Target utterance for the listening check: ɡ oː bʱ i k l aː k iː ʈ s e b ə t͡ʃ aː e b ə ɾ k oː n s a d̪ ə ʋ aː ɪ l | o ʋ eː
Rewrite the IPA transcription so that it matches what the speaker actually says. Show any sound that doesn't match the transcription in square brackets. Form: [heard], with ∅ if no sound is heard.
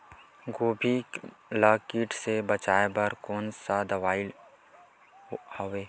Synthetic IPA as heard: ɡ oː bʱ i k l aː k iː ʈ s e b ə t͡ʃ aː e b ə ɾ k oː n s a d̪ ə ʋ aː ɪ l | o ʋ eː